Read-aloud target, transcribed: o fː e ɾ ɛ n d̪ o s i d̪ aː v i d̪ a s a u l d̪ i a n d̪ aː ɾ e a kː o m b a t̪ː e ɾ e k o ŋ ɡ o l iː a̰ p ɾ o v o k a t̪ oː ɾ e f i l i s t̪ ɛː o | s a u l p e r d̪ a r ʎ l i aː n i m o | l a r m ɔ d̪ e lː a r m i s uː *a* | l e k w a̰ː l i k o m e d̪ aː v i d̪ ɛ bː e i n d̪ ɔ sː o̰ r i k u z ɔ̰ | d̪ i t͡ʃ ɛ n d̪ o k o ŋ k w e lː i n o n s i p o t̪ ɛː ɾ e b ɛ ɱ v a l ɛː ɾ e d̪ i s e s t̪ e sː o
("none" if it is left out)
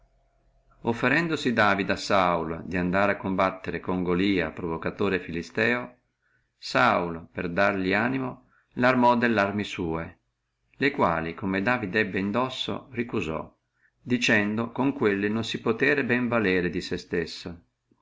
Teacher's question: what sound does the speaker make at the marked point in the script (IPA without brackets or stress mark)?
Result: e